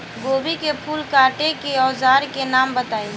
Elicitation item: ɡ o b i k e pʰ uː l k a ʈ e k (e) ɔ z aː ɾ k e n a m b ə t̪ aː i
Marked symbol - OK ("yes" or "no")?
yes